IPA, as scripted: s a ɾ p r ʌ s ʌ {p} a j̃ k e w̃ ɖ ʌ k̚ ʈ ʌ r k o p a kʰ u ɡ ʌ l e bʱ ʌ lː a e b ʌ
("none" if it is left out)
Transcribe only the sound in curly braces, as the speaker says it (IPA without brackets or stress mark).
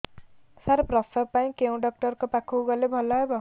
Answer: p